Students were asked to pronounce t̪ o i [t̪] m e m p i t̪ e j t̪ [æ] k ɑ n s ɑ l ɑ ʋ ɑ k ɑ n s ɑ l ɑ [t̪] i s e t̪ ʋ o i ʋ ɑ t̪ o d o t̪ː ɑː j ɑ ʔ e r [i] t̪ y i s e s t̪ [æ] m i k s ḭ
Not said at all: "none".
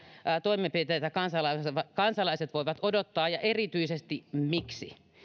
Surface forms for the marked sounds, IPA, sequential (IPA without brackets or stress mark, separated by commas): none, æ, none, i, i